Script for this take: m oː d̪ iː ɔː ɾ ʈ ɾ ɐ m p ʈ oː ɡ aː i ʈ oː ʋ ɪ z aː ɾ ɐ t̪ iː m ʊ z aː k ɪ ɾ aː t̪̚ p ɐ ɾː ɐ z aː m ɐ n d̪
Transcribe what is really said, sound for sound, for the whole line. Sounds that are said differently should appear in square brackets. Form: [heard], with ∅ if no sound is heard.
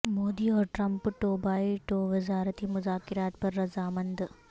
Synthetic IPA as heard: m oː d̪ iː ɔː ɾ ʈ ɾ ɐ m p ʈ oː [b] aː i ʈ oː ʋ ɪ z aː ɾ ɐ t̪ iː m ʊ z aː k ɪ ɾ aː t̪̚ p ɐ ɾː ɐ z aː m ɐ n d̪